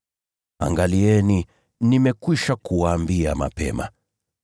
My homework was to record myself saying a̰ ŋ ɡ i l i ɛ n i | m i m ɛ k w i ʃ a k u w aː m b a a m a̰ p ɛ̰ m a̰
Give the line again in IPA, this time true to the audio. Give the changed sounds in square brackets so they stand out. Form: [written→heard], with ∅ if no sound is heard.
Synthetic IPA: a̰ ŋ ɡ [i→a] l i ɛ n i | [m→n] i m ɛ k w i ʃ a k u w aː m b [a→i] a m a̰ p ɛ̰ m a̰